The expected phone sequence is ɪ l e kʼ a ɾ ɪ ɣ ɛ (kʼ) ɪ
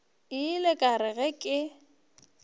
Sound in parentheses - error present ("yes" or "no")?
no